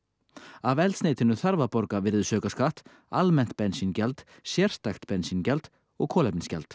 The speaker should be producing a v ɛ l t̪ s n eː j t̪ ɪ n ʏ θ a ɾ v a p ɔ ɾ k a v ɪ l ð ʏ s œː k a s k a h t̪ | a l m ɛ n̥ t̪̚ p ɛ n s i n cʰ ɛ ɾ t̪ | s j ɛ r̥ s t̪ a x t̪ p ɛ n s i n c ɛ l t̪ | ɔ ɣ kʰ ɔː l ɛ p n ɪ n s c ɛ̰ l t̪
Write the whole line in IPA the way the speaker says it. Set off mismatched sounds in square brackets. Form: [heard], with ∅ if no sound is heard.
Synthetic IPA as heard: a v ɛ l t̪ s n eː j t̪ ɪ n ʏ θ a ɾ v a p ɔ ɾ k a v ɪ [ɾ] ð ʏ s œː k a s k a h t̪ | a l m ɛ n̥ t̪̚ p ɛ n s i n [c] ɛ [l] t̪ | s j ɛ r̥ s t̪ a x t̪ p ɛ n s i n c ɛ l t̪ | ɔ ɣ kʰ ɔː l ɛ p n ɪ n s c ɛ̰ l t̪